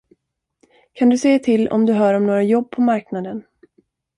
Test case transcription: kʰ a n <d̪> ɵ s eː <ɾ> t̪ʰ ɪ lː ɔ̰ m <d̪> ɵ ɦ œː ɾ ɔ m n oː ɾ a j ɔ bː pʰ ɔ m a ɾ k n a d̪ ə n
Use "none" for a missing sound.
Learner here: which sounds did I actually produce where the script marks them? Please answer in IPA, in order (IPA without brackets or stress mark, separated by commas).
d̪, none, d̪